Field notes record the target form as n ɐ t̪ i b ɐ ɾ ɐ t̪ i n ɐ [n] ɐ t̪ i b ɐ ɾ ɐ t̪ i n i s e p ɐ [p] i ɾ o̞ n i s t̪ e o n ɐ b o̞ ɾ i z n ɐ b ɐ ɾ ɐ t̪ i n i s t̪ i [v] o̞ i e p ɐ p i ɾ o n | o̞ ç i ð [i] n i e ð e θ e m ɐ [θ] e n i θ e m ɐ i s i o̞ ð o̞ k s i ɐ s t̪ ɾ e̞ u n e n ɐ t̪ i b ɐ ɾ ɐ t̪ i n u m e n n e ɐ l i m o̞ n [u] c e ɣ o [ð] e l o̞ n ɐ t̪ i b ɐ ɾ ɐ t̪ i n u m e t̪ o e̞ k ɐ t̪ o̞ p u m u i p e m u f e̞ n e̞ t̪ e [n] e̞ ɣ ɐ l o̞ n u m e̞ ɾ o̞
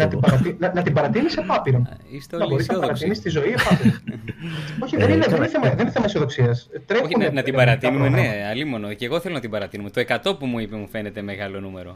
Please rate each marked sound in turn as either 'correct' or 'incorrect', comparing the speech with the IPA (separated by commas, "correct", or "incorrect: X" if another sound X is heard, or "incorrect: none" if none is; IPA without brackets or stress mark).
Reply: correct, correct, incorrect: z, incorrect: e, incorrect: ð, incorrect: o, incorrect: θ, incorrect: m